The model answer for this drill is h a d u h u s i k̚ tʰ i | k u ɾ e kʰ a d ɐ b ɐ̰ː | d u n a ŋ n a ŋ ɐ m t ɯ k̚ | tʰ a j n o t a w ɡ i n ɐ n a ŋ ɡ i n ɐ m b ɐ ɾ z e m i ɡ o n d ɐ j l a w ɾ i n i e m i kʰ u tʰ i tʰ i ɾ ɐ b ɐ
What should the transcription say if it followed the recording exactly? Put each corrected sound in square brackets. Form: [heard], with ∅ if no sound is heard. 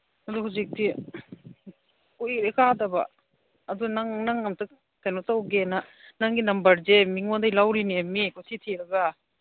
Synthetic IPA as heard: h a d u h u [z] i k̚ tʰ i | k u ɾ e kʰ a d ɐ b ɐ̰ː | d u n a ŋ n a ŋ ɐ m t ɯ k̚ | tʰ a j n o t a w ɡ [e] n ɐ n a ŋ ɡ i n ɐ m b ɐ ɾ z e m i [ŋ] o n d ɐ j l a w ɾ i n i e m i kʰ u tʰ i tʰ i ɾ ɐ [ɡ] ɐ